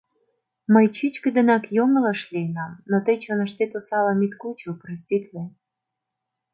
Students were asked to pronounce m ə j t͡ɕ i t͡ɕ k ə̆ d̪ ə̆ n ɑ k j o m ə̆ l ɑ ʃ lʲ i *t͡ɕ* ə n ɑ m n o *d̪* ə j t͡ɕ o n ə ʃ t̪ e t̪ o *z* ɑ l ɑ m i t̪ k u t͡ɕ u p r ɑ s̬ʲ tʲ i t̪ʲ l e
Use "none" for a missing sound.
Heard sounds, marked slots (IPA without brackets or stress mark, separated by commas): none, t̪, s